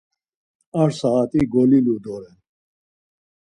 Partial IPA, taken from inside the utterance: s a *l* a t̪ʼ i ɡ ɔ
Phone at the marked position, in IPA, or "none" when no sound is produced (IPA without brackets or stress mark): none